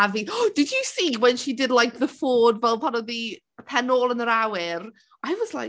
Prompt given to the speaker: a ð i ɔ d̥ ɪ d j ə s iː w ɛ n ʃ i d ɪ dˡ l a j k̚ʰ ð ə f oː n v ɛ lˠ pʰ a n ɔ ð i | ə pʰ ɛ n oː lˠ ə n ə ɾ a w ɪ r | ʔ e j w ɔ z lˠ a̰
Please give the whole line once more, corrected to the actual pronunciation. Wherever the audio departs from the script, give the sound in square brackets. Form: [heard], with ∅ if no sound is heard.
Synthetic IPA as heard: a [v] i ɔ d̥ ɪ d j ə s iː w ɛ n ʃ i d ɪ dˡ l a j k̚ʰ ð ə f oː [d] v ɛ lˠ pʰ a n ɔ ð i | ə pʰ ɛ n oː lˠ ə n ə ɾ a w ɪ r | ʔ [a] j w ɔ z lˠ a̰